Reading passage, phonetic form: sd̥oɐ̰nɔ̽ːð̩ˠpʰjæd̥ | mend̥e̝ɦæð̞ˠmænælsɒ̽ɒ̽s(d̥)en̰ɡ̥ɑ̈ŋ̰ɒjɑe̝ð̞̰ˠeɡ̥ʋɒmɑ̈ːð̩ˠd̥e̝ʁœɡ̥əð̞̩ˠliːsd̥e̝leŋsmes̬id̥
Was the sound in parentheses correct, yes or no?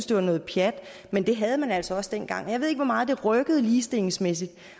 yes